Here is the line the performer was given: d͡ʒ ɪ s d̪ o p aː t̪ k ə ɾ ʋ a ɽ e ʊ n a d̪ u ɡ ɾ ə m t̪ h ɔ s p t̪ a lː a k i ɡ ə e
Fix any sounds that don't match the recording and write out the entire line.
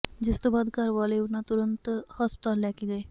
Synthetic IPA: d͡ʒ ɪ s t̪ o b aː d̪ k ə ɾ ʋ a l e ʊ n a t̪ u ɾ ə n t̪ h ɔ s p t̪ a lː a k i ɡ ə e